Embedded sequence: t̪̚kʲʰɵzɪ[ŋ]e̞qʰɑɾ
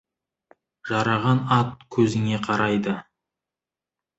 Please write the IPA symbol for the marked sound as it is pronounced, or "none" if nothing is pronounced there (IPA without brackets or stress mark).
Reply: ŋ